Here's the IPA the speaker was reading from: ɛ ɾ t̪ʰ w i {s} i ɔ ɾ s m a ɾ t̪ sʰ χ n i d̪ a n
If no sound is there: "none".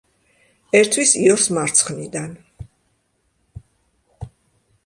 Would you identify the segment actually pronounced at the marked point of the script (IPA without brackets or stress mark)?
s